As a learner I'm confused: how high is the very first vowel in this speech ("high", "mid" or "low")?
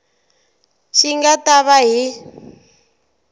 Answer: high